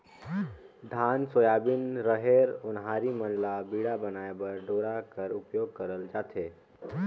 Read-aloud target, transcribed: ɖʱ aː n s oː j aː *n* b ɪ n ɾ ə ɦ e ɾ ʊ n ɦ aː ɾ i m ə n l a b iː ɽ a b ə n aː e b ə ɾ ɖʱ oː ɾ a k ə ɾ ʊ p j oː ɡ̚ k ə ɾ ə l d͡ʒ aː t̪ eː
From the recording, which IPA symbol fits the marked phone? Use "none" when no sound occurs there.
none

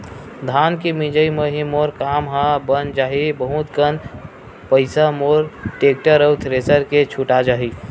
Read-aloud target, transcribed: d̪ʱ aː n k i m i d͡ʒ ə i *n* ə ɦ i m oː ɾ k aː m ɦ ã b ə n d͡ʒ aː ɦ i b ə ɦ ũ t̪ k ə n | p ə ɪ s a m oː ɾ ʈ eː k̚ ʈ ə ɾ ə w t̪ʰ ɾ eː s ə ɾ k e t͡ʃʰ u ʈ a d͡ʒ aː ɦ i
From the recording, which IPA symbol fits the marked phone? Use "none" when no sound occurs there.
m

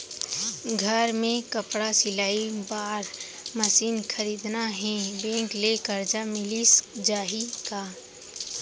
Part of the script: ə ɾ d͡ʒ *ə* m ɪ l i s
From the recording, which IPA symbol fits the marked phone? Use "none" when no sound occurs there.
a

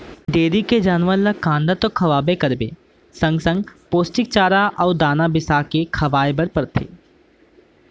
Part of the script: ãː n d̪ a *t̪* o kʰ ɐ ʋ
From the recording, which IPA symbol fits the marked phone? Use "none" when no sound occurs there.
t̪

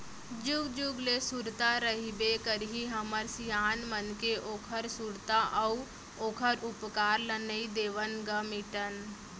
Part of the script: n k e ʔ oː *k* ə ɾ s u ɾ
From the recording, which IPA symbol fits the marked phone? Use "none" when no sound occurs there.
kʰ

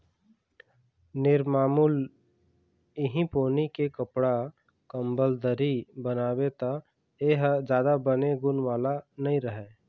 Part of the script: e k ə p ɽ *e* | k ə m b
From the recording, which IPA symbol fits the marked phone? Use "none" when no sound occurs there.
a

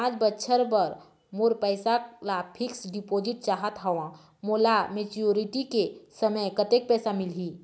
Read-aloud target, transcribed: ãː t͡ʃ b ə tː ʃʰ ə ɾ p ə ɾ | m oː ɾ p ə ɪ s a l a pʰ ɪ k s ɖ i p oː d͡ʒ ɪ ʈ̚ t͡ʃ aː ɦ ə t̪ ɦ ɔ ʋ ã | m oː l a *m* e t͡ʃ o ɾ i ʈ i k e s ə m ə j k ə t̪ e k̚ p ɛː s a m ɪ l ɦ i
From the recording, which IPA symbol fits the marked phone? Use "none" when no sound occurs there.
m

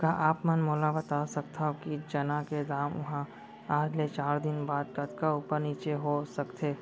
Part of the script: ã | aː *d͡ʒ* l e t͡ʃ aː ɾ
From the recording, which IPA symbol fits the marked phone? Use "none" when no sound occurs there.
d͡ʒ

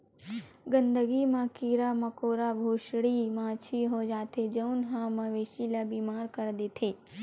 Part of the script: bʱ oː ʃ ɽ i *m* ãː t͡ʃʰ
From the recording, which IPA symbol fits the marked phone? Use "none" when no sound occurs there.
m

